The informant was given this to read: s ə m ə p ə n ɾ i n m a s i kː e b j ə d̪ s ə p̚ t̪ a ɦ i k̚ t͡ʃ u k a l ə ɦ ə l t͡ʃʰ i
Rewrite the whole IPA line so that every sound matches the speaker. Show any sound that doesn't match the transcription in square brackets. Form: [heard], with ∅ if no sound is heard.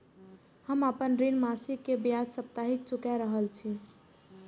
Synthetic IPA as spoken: [h] ə m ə p ə n ɾ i n m a s i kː e b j [a] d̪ s ə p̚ t̪ a ɦ i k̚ t͡ʃ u k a [ɾ] ə ɦ ə l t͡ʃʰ i